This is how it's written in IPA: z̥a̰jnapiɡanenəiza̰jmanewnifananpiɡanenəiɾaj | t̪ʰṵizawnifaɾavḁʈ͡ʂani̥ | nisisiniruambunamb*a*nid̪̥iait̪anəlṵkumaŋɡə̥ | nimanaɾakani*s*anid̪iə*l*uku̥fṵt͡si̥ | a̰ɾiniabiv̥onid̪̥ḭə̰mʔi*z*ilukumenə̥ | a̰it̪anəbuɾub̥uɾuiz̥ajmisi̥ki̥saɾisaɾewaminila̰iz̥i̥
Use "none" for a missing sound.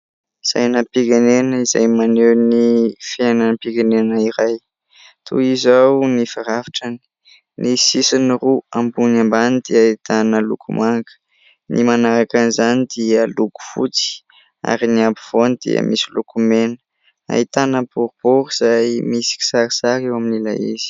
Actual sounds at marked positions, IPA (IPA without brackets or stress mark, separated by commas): a, z, l, s